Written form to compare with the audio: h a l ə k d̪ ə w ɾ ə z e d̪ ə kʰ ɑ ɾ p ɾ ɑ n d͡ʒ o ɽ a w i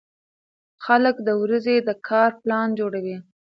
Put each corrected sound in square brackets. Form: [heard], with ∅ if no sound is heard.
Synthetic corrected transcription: [x] a l ə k d̪ ə w ɾ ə z e d̪ ə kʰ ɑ ɾ p [l] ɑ n d͡ʒ o ɽ a w i